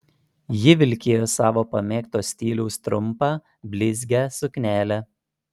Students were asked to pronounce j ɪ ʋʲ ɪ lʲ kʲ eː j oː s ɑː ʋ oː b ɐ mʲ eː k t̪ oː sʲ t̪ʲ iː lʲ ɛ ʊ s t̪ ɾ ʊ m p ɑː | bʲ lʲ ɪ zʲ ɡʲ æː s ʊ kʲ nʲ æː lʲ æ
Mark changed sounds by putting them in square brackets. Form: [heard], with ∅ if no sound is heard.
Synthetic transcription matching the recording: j ɪ ʋʲ ɪ lʲ kʲ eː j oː s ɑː ʋ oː [p] ɐ mʲ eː k t̪ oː sʲ t̪ʲ iː lʲ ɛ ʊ s t̪ ɾ ʊ m p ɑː | bʲ lʲ ɪ zʲ ɡʲ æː s ʊ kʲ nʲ æː lʲ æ